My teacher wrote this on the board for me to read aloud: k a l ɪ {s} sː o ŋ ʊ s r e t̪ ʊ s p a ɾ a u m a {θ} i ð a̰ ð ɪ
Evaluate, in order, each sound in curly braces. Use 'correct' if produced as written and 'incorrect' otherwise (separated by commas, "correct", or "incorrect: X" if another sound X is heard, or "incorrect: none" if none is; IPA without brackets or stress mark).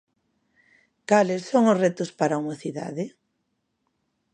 correct, correct